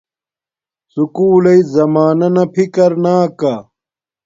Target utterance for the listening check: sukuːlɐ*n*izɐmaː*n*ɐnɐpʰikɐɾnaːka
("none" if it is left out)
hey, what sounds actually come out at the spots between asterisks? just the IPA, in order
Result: none, n

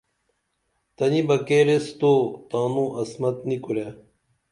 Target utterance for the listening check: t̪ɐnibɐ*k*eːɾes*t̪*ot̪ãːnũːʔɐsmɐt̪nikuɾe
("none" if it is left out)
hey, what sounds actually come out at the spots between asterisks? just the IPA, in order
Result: k, t̪

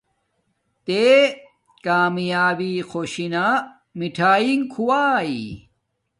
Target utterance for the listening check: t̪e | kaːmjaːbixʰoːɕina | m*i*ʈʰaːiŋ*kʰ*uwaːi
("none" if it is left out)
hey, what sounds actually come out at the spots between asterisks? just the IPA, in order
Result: i, kʰ

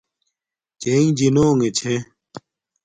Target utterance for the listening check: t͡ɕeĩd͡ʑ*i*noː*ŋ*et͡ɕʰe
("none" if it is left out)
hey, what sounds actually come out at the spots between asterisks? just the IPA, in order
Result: i, ŋ

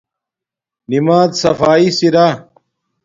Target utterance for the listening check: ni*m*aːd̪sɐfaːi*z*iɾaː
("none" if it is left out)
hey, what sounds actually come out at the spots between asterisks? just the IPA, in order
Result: m, s

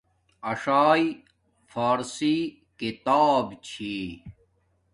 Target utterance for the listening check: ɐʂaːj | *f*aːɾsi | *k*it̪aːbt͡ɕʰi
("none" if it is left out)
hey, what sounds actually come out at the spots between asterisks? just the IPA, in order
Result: f, k

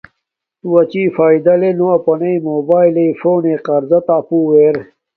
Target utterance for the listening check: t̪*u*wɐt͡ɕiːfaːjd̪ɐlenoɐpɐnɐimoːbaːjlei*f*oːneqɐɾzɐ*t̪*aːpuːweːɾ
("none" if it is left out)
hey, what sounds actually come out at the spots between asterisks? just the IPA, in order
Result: u, f, t̪

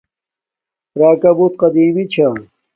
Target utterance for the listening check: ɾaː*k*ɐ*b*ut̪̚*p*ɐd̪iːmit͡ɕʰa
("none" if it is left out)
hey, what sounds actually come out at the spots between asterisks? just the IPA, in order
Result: k, b, q

